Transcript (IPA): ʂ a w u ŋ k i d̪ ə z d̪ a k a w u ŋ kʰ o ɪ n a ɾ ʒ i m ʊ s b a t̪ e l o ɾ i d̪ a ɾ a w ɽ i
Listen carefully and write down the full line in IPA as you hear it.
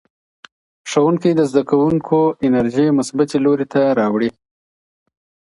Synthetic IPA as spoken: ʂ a w u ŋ k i d̪ ə z d̪ a k a w u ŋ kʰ o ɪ n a ɾ ʒ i m ʊ s b a t̪ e l o ɾ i t̪ a ɾ ɑ w ɽ i